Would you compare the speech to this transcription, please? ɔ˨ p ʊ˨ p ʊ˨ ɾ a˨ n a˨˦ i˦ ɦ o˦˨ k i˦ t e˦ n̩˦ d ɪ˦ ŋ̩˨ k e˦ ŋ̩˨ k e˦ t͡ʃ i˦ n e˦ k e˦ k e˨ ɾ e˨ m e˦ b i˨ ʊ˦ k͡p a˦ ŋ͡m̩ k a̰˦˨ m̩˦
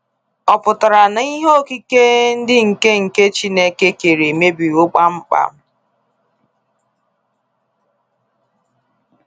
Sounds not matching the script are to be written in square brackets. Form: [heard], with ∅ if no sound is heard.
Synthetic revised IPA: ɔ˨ p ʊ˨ [t] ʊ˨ ɾ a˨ n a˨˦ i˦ ɦ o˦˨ k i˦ [k] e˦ n̩˦ d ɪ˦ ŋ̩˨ k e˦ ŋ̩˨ k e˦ t͡ʃ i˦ n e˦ k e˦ k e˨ ɾ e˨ m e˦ b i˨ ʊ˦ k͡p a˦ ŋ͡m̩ [k͡p] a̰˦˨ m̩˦